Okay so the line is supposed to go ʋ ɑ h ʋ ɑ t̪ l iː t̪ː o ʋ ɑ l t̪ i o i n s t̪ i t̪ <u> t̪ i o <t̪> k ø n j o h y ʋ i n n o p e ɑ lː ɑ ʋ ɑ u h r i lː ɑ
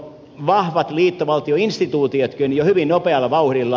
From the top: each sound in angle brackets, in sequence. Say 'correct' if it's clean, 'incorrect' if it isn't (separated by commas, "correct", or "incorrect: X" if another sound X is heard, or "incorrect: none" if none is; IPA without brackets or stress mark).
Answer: incorrect: uː, correct